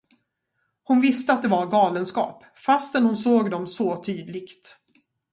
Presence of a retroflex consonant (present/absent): absent